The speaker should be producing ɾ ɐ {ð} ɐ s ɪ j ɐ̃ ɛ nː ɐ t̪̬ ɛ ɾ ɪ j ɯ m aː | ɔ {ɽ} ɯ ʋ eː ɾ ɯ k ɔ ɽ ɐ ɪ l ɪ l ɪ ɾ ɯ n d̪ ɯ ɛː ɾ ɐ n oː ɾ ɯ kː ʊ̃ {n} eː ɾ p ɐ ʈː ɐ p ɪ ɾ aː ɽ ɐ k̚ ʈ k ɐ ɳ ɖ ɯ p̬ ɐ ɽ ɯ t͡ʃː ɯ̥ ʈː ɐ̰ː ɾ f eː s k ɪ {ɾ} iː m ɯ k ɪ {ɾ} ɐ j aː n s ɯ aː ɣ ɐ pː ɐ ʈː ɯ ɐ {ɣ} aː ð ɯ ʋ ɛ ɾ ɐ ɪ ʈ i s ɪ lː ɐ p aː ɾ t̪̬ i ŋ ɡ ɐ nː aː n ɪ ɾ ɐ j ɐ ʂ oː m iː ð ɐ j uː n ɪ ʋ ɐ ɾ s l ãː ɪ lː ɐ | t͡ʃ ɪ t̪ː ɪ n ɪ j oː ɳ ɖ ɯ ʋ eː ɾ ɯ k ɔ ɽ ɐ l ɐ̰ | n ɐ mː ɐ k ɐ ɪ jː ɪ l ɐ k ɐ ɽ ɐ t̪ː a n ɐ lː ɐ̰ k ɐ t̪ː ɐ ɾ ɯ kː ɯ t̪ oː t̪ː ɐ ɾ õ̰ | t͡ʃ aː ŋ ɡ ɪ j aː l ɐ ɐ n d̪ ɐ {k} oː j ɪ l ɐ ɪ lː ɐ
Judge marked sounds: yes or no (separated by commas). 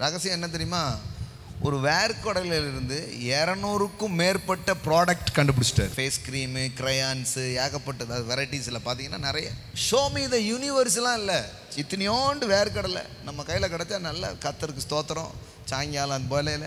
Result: no, no, no, yes, yes, no, no